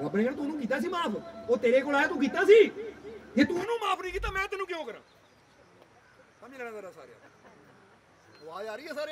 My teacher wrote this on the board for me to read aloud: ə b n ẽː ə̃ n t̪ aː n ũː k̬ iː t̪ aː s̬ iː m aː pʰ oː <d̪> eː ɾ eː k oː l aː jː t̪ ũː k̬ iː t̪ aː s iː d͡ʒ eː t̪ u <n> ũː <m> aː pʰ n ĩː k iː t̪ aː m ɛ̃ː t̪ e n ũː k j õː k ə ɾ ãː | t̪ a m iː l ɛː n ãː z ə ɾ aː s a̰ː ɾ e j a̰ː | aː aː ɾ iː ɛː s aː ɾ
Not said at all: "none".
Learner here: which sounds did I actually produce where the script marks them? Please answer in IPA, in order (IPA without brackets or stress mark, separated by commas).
t̪, n, m